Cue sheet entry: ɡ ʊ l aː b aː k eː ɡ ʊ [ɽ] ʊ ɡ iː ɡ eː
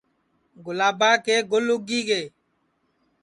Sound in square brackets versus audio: incorrect: l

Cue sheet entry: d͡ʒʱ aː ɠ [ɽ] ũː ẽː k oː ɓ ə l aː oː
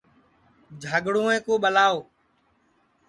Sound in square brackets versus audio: correct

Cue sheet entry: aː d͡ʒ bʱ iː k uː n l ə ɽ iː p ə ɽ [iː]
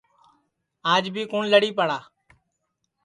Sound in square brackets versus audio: incorrect: aː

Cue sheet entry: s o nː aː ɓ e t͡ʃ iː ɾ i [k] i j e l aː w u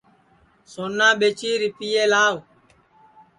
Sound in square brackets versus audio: incorrect: p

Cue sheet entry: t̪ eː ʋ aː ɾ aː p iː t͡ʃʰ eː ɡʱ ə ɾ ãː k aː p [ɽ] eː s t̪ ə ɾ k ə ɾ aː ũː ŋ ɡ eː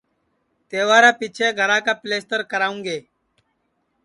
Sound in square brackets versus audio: incorrect: l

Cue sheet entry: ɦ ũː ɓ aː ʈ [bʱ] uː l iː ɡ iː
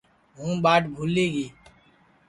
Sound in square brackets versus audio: correct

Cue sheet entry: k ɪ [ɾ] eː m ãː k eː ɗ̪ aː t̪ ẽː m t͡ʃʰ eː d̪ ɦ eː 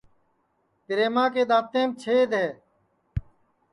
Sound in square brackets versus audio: correct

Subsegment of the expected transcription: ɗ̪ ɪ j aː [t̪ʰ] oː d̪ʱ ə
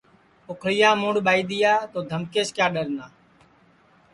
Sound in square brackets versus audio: incorrect: t̪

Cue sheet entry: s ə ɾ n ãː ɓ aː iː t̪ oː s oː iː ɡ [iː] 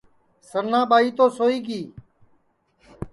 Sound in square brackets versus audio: correct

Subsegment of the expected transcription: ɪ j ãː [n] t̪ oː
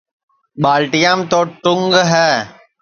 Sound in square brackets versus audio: incorrect: m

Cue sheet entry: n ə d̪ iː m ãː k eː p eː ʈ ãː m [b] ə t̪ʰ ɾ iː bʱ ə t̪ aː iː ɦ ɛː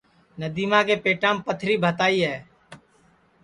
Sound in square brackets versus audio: incorrect: p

